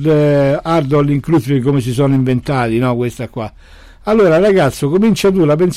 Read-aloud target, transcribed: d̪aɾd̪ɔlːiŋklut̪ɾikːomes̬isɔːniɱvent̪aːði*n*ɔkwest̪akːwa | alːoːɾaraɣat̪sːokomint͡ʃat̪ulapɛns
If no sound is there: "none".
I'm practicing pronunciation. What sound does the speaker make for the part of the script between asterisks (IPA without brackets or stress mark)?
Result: n